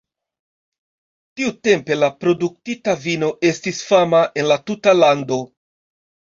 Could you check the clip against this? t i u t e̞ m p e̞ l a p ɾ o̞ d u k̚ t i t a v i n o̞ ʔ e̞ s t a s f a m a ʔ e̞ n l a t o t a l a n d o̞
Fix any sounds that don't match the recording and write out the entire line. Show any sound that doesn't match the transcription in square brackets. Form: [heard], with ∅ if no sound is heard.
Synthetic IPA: t i u t e̞ m p e̞ l a p ɾ o̞ d u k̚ t i t a v i n o̞ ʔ e̞ s t [i] s f a m a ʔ e̞ n l a t [u] t a l a n d o̞